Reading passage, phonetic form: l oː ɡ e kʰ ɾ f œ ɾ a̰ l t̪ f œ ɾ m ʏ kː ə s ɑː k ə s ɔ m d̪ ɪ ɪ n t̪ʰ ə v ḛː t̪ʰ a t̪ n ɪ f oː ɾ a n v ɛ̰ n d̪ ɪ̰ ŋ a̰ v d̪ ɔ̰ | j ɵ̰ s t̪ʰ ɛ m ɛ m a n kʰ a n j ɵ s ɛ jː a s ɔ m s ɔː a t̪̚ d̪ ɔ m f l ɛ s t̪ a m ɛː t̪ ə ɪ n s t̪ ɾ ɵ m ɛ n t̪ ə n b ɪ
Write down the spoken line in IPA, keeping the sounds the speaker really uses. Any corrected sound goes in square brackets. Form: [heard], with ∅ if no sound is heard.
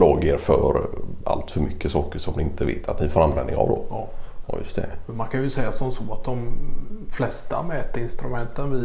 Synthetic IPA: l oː ɡ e [∅] ɾ f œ ɾ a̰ l t̪ f œ ɾ m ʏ kː ə s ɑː k ə [ʂ] ɔ m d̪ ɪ ɪ n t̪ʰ ə v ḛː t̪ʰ a t̪ n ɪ f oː ɾ a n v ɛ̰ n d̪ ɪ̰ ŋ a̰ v d̪ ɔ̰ | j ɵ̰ s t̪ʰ ɛ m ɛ m a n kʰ a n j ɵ s ɛ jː a s ɔ m s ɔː a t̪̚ d̪ ɔ m f l ɛ s t̪ a m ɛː t̪ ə ɪ n s t̪ ɾ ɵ m ɛ n t̪ ə n [v] ɪ